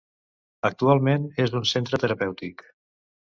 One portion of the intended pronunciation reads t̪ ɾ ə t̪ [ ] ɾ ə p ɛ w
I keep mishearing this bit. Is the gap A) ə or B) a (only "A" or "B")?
A